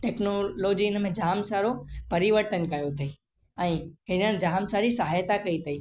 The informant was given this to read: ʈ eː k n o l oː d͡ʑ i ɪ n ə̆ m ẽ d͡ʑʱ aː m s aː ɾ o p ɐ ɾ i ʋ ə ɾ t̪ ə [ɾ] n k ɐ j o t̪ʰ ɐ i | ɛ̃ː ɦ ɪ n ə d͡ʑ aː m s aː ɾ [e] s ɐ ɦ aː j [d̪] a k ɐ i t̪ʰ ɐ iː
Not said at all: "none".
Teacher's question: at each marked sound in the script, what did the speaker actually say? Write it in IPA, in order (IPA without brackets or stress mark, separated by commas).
none, i, t̪